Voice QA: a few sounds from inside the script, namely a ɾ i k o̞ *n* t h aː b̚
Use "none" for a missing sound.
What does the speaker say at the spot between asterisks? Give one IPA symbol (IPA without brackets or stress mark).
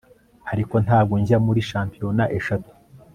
n